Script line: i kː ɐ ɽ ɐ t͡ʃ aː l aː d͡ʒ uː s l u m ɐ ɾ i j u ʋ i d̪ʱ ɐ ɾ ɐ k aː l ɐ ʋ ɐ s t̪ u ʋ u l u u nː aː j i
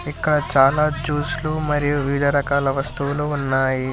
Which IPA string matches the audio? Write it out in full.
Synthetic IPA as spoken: i kː ɐ ɽ ɐ t͡ʃ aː l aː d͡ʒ uː s l u m ɐ ɾ i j u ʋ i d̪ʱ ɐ ɾ ɐ k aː l ɐ ʋ ɐ s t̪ u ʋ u l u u nː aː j i